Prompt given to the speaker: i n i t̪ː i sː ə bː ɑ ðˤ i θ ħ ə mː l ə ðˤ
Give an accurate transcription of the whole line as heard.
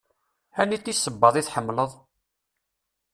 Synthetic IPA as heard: æ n i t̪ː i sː ə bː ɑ ðˤ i θ ħ ə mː l ə ðˤ